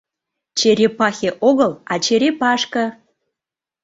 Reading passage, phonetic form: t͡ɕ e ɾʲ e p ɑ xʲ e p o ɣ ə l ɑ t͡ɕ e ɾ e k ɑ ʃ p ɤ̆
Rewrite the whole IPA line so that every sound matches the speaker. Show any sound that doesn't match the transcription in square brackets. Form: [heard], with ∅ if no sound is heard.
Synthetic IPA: t͡ɕ e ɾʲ e p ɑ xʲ e [ʔ] o ɣ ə l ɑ t͡ɕ e ɾ e [p] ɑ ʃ [k] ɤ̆